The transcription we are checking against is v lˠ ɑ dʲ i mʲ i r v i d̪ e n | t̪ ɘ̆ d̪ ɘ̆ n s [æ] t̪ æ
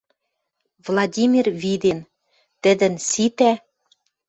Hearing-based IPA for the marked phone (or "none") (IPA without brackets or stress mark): i